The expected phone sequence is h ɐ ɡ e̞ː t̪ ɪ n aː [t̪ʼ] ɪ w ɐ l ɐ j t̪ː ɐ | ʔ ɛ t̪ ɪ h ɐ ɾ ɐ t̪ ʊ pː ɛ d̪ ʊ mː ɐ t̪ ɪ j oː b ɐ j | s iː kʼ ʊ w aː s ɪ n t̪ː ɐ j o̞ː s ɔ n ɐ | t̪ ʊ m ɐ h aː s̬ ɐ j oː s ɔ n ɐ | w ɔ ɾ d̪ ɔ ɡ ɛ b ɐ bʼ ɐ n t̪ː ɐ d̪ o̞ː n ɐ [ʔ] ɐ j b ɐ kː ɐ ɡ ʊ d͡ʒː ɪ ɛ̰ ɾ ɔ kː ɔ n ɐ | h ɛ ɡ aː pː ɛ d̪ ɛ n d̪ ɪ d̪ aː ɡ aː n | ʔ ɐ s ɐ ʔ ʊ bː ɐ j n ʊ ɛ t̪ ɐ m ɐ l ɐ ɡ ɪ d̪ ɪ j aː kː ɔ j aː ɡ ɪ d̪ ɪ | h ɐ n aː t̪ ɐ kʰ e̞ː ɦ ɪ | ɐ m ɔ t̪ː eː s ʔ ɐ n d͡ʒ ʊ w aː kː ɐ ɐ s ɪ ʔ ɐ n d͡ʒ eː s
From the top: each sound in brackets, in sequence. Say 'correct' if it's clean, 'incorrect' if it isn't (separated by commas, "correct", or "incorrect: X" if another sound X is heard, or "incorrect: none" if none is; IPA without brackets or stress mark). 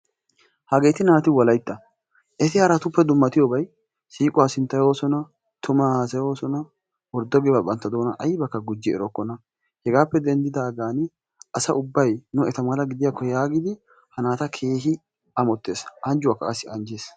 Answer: incorrect: t̪, correct